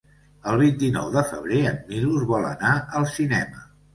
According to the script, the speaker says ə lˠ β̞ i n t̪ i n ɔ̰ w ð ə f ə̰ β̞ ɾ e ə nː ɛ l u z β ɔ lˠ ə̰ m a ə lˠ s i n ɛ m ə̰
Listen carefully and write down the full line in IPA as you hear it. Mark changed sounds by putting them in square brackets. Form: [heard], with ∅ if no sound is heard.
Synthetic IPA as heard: ə lˠ β̞ i n t̪ i n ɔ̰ w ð ə f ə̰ β̞ ɾ e ə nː [i] l u z β ɔ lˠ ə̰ [n] a ə lˠ s i n ɛ m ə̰